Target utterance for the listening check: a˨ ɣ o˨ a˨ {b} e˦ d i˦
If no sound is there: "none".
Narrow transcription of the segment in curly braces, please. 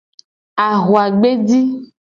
ɡ͡b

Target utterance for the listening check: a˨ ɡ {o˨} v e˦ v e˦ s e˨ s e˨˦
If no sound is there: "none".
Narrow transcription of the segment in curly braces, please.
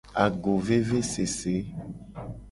o˨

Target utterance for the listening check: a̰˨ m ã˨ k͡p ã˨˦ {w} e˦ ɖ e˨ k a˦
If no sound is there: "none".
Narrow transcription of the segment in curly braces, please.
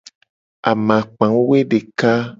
w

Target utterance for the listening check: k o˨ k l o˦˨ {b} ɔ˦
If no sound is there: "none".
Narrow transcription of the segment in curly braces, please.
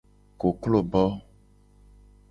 b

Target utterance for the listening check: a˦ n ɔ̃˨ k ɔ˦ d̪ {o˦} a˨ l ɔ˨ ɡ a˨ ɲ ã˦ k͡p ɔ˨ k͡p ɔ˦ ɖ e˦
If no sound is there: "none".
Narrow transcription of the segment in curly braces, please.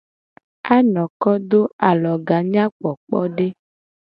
o˦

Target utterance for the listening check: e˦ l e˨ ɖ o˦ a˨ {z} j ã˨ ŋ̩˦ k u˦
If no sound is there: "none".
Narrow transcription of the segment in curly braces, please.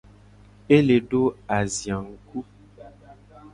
z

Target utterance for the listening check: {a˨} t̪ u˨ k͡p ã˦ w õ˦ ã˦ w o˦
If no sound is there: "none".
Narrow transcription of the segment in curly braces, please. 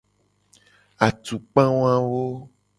a˨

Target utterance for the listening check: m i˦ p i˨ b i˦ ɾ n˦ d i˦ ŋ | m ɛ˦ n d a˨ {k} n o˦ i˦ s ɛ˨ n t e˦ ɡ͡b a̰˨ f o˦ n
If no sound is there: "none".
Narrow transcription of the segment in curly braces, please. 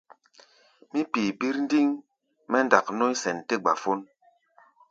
k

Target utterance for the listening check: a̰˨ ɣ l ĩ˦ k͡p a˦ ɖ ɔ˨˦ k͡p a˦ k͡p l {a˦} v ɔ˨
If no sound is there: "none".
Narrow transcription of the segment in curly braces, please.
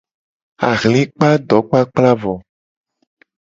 a˦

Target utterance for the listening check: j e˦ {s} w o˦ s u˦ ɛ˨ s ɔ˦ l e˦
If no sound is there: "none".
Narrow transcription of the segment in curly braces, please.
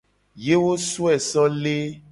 none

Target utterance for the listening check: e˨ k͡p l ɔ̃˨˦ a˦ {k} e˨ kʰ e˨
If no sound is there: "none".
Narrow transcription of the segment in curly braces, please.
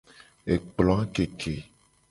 k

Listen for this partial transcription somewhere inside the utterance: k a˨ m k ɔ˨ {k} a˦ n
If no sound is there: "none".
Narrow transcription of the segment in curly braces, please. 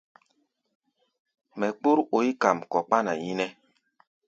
k͡p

